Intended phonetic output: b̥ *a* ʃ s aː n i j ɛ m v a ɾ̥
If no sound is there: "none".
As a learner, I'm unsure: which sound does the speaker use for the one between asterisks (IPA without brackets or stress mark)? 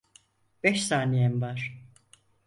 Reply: ɛ